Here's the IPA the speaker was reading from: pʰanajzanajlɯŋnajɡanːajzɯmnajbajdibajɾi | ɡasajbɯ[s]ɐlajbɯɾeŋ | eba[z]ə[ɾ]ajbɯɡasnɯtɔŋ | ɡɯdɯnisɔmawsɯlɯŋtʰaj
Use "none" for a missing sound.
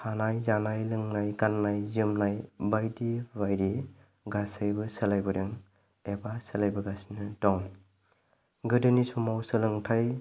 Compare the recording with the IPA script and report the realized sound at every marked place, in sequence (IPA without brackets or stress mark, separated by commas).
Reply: s, s, l